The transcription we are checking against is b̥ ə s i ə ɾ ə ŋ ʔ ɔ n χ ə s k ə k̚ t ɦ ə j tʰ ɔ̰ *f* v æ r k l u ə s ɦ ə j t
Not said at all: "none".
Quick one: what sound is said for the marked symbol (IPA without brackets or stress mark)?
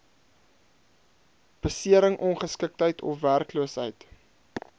f